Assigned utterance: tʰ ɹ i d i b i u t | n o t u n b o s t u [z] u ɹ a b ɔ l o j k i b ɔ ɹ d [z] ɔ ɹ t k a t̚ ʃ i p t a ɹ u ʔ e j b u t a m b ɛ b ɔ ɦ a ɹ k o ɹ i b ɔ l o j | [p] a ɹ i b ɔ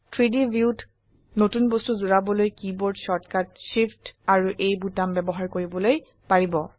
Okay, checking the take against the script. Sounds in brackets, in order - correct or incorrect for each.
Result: correct, incorrect, correct

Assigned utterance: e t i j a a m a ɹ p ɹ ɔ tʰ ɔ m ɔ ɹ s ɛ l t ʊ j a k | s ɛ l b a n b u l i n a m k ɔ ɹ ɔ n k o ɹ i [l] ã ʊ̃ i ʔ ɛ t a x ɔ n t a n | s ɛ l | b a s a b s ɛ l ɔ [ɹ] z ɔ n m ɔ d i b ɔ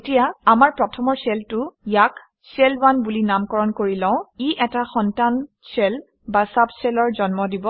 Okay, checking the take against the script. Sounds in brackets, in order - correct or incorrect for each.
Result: correct, correct

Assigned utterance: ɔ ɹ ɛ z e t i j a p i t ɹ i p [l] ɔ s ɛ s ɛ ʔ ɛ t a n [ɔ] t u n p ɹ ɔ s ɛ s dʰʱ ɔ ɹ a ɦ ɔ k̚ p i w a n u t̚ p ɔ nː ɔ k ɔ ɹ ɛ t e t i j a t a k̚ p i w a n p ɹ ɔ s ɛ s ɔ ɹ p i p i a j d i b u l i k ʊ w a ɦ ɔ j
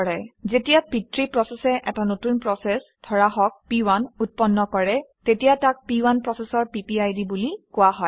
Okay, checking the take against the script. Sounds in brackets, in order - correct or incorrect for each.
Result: incorrect, incorrect

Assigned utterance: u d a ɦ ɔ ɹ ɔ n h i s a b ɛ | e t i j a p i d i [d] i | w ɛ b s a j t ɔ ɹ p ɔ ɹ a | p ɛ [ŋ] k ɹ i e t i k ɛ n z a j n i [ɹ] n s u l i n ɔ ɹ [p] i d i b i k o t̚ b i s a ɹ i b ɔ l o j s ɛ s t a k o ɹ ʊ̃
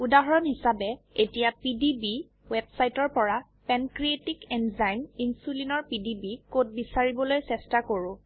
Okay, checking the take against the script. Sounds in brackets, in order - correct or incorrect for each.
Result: incorrect, incorrect, incorrect, correct

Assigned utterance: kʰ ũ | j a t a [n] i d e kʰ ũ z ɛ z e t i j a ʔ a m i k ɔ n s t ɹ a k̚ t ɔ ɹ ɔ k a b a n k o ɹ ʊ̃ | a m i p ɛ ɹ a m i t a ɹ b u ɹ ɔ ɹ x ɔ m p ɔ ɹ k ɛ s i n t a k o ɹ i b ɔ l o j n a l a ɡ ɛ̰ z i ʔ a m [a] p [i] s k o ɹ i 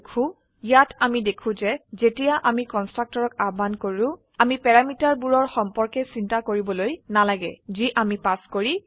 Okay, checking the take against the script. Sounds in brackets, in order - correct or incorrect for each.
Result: incorrect, incorrect, incorrect

